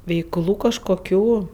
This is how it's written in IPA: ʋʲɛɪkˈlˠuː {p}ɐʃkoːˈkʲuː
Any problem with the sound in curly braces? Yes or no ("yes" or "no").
yes